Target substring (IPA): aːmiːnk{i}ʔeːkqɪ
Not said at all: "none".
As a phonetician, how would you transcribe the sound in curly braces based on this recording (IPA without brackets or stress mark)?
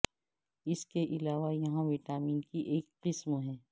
i